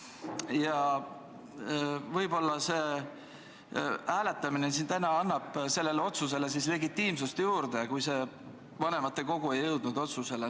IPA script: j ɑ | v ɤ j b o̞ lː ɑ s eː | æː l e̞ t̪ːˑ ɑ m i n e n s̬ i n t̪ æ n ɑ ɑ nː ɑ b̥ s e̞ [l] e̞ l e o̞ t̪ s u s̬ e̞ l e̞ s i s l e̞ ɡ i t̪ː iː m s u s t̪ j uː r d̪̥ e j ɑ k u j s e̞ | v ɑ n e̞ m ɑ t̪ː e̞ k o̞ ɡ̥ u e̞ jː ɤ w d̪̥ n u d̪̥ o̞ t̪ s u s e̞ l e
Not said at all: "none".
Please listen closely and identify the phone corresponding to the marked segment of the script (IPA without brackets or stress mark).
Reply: lː